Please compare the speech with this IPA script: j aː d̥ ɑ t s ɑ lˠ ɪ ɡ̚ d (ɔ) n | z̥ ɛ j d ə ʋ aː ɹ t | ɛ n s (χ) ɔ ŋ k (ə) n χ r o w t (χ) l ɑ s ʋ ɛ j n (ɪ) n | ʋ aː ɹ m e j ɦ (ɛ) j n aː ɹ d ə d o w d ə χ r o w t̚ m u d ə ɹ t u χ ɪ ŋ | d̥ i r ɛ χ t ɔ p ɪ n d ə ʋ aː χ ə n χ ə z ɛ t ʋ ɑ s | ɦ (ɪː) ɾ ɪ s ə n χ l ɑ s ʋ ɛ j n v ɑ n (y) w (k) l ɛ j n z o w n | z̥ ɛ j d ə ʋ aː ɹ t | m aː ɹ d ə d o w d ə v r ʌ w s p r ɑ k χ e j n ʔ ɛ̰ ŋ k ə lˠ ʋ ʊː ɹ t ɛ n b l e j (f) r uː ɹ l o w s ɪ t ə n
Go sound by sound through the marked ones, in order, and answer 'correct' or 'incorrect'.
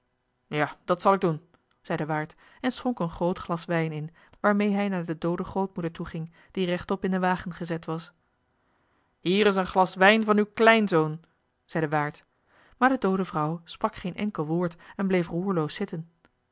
incorrect, correct, correct, correct, correct, correct, incorrect, correct, correct, correct

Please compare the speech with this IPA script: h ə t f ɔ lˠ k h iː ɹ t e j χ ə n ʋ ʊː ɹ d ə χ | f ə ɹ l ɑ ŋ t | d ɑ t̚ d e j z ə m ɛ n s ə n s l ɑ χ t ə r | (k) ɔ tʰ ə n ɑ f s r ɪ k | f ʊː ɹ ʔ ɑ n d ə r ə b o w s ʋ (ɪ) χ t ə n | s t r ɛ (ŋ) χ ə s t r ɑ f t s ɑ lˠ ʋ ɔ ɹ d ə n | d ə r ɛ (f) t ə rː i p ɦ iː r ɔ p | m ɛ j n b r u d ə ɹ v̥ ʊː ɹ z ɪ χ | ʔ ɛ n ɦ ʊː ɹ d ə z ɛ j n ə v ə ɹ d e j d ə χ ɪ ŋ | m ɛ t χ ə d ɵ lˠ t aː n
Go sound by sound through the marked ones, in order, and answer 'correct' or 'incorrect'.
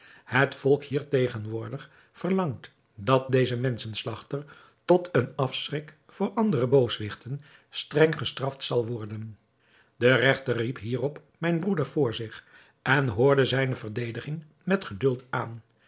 incorrect, correct, correct, incorrect

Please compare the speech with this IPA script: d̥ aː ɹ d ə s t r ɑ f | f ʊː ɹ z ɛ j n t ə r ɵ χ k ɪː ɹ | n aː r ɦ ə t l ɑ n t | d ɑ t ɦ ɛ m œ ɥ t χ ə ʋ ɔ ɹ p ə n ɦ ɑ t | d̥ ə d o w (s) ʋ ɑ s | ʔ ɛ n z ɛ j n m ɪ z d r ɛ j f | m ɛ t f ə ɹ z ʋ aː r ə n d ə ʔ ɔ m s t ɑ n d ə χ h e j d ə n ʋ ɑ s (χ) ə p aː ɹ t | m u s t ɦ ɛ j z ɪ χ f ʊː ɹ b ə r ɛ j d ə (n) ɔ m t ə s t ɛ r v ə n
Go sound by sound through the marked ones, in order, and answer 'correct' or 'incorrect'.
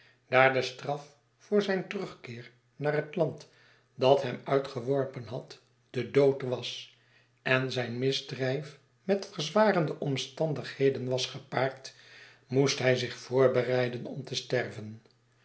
incorrect, correct, correct

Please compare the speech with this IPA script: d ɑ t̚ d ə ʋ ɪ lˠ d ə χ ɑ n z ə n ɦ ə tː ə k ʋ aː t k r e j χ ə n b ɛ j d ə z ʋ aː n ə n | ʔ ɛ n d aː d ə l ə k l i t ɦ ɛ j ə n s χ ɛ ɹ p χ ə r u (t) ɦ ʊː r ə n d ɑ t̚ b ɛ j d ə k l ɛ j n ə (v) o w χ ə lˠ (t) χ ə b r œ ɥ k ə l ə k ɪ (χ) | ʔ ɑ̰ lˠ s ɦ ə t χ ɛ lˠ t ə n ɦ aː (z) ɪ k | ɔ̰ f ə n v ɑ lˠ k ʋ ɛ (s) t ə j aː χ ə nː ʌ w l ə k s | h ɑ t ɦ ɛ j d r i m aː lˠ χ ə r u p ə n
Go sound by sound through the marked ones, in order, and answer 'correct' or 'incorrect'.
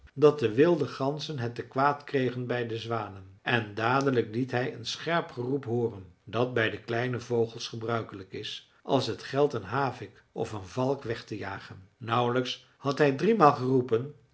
incorrect, correct, incorrect, incorrect, incorrect, incorrect

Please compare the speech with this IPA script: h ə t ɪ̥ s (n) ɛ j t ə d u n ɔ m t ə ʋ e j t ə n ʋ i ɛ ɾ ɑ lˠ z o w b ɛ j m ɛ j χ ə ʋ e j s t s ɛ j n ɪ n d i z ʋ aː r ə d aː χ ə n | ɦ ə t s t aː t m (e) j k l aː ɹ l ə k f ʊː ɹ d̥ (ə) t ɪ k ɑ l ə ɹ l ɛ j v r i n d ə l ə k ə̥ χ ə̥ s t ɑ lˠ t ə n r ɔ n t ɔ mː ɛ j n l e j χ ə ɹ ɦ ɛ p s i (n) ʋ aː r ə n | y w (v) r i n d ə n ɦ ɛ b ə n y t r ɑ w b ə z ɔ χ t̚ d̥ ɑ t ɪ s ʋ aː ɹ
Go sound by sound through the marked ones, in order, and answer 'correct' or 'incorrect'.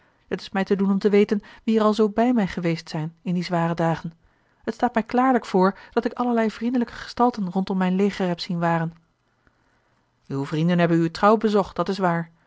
incorrect, incorrect, incorrect, correct, correct

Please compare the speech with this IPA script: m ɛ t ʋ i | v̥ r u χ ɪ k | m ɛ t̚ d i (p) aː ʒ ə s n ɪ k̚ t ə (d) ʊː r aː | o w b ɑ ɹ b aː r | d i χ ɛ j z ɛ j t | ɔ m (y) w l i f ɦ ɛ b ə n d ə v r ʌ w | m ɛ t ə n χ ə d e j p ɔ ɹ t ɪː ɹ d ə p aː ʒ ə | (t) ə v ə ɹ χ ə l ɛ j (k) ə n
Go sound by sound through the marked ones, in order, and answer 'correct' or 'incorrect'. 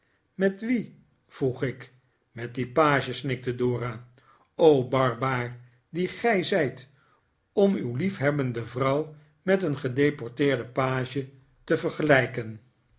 correct, correct, correct, correct, correct

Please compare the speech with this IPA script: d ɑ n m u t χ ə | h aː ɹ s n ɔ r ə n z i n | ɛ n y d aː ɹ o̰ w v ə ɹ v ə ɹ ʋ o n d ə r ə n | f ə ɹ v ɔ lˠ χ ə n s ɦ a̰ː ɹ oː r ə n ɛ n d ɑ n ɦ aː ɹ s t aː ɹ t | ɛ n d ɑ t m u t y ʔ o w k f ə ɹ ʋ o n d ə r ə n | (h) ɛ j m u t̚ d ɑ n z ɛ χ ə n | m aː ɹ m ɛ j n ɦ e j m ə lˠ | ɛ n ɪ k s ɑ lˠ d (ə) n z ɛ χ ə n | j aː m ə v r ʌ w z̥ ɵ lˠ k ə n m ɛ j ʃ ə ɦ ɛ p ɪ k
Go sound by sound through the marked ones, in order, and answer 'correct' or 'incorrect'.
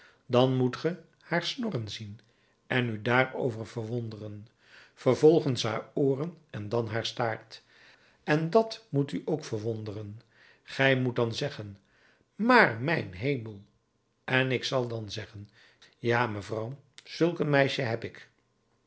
incorrect, incorrect

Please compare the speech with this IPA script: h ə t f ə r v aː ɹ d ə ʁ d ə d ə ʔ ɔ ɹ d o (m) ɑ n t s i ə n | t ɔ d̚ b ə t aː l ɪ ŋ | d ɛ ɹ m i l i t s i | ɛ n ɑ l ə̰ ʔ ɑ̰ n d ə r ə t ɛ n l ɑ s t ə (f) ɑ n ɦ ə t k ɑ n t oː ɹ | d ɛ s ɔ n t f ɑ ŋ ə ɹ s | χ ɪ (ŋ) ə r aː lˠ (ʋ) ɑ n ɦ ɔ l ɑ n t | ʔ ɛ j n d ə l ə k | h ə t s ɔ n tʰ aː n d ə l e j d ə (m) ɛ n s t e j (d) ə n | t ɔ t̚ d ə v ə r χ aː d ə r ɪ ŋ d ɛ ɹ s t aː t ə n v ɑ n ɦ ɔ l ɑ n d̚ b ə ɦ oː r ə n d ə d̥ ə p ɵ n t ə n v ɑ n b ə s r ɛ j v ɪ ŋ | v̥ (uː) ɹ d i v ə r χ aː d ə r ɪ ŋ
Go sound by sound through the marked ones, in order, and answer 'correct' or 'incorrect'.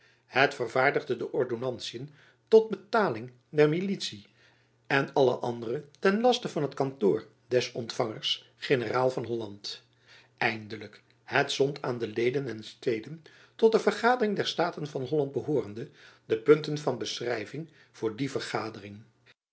incorrect, incorrect, incorrect, incorrect, incorrect, correct, incorrect

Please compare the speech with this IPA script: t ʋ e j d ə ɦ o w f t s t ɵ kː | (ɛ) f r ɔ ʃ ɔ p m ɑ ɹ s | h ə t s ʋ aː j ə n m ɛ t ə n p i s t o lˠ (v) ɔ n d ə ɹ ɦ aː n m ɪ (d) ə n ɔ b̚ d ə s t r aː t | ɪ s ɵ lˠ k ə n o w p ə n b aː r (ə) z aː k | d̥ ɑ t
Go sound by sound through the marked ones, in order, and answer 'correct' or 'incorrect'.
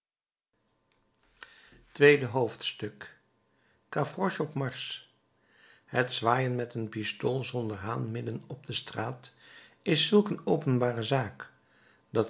incorrect, incorrect, correct, correct

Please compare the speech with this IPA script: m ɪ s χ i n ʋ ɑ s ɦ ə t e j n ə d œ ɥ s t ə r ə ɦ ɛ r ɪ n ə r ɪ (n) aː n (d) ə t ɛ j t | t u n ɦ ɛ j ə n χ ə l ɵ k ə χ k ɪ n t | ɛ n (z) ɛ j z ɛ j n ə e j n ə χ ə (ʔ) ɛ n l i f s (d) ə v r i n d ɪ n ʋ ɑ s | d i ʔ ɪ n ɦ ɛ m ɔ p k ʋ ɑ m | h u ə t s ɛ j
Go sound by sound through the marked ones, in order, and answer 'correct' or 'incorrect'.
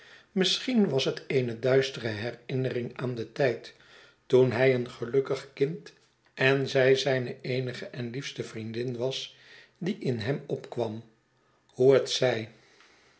incorrect, correct, correct, correct, incorrect

